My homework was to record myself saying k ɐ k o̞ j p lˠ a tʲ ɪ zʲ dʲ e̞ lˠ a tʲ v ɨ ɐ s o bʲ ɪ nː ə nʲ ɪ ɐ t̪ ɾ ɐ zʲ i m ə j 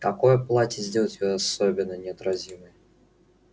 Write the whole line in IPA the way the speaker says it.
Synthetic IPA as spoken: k ɐ k o̞ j p lˠ a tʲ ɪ zʲ dʲ e̞ lˠ ə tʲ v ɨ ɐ s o bʲ ɪ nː ə nʲ ɪ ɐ t̪ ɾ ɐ zʲ i m ə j